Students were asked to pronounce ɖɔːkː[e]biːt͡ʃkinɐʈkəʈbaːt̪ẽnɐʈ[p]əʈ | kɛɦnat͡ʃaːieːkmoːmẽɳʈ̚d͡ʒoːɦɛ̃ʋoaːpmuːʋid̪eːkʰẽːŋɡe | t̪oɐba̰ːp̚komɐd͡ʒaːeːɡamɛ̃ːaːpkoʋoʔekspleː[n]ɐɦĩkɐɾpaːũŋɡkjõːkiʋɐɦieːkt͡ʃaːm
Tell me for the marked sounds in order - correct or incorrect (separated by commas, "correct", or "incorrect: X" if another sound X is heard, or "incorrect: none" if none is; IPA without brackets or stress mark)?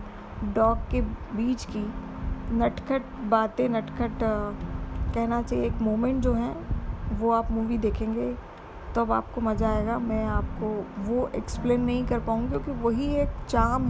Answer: correct, incorrect: k, incorrect: nː